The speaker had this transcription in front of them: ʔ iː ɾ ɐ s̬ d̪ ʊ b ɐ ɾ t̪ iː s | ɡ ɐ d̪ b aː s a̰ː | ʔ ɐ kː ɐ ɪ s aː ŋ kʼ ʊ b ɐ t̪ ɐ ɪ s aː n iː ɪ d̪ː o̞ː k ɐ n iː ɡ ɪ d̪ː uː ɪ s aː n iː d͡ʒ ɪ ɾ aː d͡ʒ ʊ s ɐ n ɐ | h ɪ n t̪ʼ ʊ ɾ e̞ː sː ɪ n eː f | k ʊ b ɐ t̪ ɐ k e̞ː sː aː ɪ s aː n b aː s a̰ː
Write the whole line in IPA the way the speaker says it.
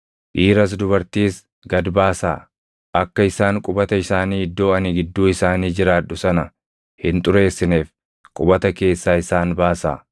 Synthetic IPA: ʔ iː ɾ ɐ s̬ d̪ ʊ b ɐ ɾ t̪ iː s | ɡ ɐ d̪ b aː s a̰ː | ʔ ɐ kː ɐ ɪ s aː ŋ kʼ ʊ b ɐ t̪ ɐ ɪ s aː n iː ɪ d̪ː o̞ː ɐ n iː ɡ ɪ d̪ː uː ɪ s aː n iː d͡ʒ ɪ ɾ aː ʊ s ɐ n ɐ | h ɪ n t̪ʼ ʊ ɾ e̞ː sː ɪ n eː f | kʼ ʊ b ɐ t̪ ɐ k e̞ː sː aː ɪ s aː n b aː s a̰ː